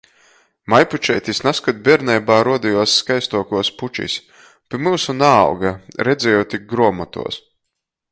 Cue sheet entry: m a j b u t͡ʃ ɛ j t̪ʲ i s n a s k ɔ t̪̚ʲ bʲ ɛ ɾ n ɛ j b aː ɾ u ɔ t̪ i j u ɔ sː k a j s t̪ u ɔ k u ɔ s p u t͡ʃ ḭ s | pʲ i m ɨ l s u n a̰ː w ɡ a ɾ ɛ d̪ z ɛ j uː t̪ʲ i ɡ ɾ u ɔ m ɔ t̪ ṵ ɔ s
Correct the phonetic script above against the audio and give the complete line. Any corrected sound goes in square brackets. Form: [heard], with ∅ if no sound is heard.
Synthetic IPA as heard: m a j [p] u t͡ʃ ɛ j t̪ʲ i s n a s k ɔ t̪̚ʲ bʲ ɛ ɾ n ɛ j b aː ɾ u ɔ [d̪] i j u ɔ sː k a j s t̪ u ɔ k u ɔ s p u t͡ʃ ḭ s | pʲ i m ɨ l s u n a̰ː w ɡ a ɾ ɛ d̪ z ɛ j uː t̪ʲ i ɡ ɾ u ɔ m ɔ t̪ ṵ ɔ s